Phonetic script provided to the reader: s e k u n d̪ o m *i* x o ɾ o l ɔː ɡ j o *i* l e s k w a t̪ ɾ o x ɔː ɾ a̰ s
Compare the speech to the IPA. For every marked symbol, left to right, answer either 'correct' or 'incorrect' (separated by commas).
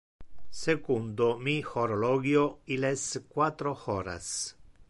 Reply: correct, correct